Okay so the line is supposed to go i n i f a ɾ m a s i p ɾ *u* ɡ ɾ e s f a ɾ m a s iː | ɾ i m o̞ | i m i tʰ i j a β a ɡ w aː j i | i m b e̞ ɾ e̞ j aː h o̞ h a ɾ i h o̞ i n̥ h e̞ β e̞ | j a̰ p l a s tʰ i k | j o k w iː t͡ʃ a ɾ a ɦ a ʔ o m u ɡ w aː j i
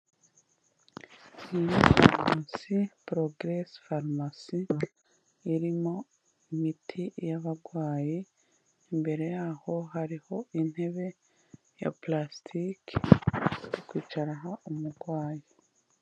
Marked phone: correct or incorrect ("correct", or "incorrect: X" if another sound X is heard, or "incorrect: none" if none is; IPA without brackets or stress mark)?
incorrect: o